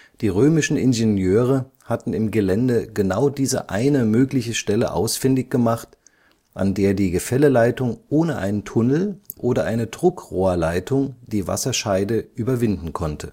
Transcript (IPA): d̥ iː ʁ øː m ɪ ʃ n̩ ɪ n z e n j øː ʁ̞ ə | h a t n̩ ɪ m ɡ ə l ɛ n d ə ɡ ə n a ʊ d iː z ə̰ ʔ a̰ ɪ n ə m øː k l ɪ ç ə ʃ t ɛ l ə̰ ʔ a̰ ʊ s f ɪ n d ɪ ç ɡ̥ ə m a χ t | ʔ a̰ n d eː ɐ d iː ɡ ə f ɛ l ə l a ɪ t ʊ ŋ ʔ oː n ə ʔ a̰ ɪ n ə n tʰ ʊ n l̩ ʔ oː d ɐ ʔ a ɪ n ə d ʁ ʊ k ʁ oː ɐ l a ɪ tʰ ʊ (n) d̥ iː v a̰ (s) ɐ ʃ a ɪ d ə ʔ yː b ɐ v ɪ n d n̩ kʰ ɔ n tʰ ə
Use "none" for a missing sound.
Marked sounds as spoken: ŋ, s

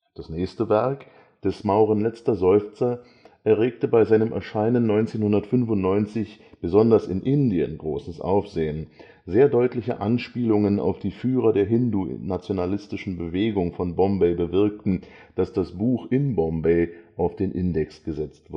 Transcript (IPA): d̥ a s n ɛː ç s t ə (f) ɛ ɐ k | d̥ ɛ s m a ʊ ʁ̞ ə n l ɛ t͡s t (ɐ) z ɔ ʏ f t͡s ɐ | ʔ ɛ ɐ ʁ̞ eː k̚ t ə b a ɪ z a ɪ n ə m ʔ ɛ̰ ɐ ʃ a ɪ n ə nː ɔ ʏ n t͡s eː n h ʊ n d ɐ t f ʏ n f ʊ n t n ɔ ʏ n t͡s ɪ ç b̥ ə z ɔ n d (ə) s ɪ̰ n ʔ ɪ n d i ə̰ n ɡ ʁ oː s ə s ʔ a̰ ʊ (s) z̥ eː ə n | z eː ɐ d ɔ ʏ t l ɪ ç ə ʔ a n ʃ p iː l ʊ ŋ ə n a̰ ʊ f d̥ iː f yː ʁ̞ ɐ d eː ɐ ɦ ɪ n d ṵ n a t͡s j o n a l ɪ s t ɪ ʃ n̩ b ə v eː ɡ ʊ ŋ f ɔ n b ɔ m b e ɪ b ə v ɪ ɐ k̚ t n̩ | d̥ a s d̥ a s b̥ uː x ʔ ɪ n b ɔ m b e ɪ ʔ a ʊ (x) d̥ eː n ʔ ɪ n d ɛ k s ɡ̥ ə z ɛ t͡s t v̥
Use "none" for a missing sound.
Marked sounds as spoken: v, ɐ, ɐ, f, f

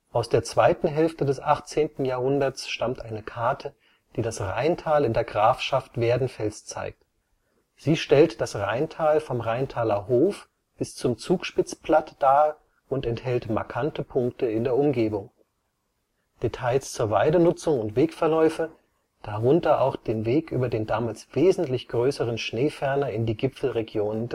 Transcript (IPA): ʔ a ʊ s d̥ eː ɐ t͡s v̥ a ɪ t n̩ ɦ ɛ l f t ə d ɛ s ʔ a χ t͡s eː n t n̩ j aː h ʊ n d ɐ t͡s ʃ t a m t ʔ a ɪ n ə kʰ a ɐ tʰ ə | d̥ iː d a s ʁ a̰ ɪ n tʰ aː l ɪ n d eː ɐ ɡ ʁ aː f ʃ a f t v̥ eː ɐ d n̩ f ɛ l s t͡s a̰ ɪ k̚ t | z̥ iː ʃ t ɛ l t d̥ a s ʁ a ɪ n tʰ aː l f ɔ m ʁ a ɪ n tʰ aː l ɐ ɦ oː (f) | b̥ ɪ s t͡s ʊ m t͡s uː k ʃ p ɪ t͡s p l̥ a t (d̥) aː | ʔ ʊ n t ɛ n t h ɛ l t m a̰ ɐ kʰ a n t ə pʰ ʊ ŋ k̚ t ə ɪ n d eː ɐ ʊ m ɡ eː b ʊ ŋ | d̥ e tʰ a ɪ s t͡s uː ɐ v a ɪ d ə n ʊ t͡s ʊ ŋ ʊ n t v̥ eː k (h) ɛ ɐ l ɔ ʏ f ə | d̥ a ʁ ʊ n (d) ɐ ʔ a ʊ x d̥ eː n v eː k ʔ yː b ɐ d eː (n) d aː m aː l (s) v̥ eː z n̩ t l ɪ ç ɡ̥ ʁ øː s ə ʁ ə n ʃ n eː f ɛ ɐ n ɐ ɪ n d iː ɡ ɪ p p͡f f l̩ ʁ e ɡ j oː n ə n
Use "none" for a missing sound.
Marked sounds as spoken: f, d̥, f, t, n, s

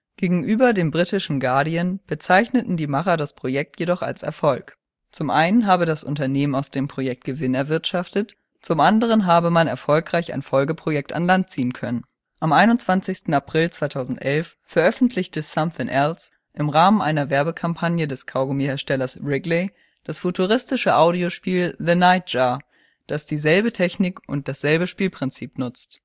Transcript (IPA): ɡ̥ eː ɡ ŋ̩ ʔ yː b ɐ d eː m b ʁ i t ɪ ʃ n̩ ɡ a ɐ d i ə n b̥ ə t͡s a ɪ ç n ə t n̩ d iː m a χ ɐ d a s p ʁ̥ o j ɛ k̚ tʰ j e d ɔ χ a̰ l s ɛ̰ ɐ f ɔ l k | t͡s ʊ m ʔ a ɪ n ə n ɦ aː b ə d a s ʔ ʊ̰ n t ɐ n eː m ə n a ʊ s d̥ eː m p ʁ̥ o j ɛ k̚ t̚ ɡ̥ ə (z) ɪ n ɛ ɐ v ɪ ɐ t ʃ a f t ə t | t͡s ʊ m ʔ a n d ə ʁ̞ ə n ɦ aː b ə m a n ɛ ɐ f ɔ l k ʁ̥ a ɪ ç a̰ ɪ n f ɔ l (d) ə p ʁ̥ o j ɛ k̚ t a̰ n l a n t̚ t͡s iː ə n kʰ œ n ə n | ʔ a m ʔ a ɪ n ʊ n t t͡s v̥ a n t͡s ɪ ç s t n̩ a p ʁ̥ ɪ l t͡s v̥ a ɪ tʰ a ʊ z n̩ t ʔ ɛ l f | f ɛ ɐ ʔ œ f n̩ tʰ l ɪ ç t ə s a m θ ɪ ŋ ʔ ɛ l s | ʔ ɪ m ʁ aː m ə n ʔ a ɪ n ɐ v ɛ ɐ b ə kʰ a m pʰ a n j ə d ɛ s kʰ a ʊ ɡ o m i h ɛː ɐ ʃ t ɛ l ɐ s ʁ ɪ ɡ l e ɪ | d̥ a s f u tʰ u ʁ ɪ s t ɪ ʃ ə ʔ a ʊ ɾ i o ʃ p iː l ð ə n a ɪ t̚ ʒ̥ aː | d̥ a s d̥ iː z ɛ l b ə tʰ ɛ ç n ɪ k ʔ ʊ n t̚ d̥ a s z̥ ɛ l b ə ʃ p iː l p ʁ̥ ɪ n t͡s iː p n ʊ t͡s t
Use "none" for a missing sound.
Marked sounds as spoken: v, ɡ

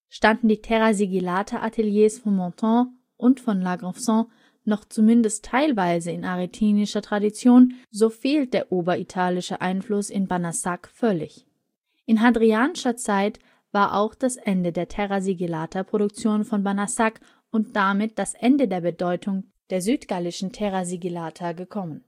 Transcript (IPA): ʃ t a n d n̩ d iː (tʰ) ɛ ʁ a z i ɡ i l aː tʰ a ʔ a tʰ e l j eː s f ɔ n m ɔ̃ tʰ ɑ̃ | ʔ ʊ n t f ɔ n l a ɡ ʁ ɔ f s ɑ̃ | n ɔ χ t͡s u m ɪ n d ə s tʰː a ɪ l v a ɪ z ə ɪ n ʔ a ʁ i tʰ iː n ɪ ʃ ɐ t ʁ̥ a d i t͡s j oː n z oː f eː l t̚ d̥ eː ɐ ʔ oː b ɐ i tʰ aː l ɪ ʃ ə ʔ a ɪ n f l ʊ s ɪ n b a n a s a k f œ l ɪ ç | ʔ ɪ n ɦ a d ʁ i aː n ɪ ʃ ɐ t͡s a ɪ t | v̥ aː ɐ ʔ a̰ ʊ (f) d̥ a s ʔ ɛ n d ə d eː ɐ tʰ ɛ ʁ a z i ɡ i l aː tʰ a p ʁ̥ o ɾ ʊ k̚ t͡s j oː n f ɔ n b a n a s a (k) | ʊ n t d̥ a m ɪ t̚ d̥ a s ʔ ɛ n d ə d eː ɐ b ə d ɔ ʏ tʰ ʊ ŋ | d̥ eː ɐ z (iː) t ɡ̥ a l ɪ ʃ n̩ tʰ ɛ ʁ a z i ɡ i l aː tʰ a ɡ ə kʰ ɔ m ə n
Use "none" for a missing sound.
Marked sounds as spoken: tʰ, x, k, yː

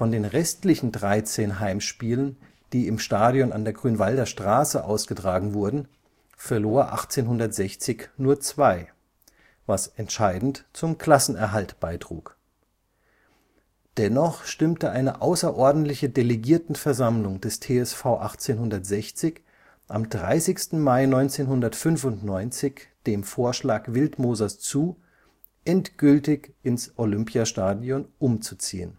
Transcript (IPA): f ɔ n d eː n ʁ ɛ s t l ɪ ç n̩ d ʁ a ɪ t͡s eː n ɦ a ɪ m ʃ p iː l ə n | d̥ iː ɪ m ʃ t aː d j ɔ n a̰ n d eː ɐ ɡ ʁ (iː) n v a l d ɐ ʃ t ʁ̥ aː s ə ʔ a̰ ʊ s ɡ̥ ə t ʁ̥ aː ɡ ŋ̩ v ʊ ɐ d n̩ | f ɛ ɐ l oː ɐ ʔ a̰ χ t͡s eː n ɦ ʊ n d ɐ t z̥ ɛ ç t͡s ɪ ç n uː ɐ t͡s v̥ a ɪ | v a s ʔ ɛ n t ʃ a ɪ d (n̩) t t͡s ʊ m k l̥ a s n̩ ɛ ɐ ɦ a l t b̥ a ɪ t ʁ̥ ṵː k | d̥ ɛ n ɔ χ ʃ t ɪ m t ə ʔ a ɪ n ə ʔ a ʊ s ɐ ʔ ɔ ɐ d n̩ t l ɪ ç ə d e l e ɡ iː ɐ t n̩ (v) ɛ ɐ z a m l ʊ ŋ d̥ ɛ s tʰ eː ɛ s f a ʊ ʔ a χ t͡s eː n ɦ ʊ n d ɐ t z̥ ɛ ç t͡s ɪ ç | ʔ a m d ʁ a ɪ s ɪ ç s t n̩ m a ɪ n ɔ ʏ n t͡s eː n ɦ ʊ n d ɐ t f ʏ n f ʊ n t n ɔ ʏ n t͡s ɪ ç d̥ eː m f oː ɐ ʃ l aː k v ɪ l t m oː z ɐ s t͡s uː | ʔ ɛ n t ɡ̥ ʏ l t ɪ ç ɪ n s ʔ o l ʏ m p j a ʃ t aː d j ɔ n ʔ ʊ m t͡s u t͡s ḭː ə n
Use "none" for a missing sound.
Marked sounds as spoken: yː, n̩, f

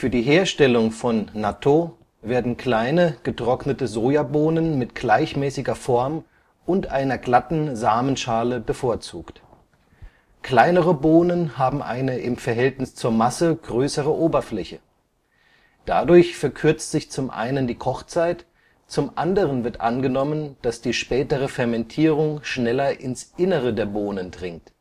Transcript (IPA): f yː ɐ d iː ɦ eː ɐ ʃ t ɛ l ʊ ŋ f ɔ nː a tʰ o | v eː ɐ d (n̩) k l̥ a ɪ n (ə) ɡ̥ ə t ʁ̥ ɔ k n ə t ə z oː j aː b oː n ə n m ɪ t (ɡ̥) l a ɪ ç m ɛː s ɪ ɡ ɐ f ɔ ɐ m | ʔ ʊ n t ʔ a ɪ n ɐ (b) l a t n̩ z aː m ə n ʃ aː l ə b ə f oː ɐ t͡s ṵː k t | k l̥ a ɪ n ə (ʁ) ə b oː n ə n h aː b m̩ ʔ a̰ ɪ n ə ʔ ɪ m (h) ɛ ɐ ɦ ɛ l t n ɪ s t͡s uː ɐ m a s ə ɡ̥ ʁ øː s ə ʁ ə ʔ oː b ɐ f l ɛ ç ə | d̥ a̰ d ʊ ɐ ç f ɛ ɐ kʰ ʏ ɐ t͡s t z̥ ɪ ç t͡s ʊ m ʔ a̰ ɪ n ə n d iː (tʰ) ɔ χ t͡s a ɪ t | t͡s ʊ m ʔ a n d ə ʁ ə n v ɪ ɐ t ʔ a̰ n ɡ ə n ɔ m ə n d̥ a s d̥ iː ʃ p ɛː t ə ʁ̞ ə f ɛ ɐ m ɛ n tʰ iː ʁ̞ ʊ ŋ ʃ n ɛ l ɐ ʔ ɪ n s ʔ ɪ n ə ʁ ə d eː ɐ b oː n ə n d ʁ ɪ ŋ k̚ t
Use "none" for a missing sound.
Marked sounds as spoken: n̩, ə, ɡ̥, ɡ, ʁ, f, kʰ

